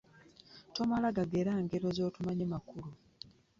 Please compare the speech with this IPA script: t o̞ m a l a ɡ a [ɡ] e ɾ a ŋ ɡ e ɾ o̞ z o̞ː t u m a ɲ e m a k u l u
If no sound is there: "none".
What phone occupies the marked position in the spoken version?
ɡ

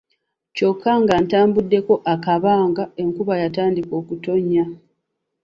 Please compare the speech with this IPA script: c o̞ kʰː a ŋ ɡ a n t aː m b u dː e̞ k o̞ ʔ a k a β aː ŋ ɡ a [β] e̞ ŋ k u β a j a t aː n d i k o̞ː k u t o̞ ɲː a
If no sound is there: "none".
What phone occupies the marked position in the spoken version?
none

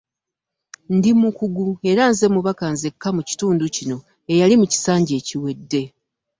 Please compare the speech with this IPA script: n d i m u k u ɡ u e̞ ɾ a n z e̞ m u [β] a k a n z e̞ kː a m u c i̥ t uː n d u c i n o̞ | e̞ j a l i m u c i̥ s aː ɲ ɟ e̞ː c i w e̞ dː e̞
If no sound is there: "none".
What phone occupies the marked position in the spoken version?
β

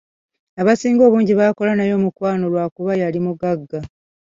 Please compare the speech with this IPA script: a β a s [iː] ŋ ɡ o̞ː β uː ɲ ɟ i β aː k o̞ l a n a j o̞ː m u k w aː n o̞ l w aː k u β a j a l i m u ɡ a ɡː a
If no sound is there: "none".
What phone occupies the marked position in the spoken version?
iː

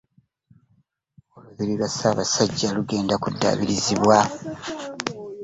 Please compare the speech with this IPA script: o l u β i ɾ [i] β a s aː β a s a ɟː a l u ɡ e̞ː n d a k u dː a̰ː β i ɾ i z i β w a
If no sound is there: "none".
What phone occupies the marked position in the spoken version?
i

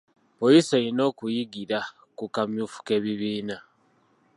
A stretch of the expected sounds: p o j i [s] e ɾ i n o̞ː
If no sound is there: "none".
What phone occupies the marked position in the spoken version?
s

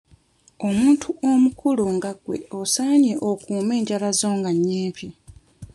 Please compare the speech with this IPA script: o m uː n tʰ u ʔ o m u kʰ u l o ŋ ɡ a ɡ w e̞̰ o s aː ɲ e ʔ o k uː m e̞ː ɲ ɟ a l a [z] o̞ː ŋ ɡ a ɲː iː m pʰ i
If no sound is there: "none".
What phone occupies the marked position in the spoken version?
z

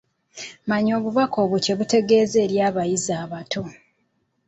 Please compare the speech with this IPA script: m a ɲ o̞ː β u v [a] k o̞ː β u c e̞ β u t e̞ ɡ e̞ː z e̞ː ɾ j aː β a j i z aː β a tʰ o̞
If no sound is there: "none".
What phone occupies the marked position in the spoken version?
a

